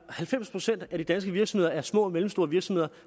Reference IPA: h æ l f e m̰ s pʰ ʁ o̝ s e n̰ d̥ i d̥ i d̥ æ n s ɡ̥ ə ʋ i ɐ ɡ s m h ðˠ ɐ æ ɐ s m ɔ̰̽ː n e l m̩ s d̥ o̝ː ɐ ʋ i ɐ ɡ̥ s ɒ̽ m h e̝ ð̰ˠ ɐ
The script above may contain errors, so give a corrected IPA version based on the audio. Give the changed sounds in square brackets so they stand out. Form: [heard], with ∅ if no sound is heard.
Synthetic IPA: h æ l f e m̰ s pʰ ʁ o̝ s e n̰ d̥ [æ] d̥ i d̥ æ n s ɡ̥ ə ʋ i ɐ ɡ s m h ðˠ ɐ æ ɐ s m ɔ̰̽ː [m] e l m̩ s d̥ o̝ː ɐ ʋ i ɐ ɡ̥ s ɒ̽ m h e̝ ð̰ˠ ɐ